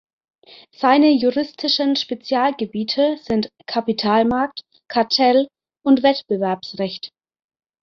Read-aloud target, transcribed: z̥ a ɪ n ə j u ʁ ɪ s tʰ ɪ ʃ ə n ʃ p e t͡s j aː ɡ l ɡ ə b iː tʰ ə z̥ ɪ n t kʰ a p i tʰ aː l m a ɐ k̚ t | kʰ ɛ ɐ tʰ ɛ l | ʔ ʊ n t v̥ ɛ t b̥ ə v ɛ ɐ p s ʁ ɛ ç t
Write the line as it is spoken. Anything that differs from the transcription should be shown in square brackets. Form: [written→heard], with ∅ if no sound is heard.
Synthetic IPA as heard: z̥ a ɪ n ə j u ʁ ɪ s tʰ ɪ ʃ ə n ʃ p e t͡s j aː [ɡ→∅] l ɡ ə b iː tʰ ə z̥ ɪ n t kʰ a p i tʰ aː l m a ɐ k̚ t | kʰ [ɛ→a] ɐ tʰ ɛ l | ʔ ʊ n t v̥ ɛ t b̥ ə v ɛ ɐ p s ʁ ɛ ç t